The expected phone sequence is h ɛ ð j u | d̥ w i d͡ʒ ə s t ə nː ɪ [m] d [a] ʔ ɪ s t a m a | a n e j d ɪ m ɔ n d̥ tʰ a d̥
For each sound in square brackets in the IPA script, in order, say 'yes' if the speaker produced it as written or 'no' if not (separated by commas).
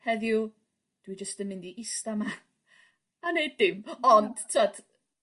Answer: no, no